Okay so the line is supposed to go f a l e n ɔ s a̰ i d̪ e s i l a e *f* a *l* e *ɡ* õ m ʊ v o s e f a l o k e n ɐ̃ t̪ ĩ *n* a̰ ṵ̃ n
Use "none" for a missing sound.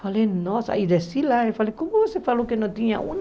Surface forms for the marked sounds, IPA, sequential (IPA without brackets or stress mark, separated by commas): f, l, k, ɲ